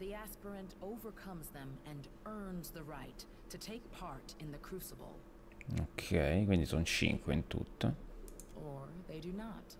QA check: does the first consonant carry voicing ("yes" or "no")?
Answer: yes